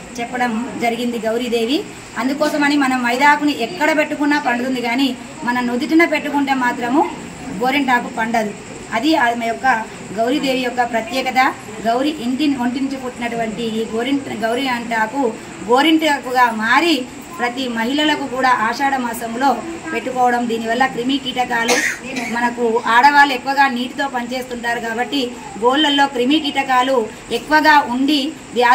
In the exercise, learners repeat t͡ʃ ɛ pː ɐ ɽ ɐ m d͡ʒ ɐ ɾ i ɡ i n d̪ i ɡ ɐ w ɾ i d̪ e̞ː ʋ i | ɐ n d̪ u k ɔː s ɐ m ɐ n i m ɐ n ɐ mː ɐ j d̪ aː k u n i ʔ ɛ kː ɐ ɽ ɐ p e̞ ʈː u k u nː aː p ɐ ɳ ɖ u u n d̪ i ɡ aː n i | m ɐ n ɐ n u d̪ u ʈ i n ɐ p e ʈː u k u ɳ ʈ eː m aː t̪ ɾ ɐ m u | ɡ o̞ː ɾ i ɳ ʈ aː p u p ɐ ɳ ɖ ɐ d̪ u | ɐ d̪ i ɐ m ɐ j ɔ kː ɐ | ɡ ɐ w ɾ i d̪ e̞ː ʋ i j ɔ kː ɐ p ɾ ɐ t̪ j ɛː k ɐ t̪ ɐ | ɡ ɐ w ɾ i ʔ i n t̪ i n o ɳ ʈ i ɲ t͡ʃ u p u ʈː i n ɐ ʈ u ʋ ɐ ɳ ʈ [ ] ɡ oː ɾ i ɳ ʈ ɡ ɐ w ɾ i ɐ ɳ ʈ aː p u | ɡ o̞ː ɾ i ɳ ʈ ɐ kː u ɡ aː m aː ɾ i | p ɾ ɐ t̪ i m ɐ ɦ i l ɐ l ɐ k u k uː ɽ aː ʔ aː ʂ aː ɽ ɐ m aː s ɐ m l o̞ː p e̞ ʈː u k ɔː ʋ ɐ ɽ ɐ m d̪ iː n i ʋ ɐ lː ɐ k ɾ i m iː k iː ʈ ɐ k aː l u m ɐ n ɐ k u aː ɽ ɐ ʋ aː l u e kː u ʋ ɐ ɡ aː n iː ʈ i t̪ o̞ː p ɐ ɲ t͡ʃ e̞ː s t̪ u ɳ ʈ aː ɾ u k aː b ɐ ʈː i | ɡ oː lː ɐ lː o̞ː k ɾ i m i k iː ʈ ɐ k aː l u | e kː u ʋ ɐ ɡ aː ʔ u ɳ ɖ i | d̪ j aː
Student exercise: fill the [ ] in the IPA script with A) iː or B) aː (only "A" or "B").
A